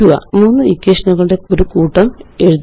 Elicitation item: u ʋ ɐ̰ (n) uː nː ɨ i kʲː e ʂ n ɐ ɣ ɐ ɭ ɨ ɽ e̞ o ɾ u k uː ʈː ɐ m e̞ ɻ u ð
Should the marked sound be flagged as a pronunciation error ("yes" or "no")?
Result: yes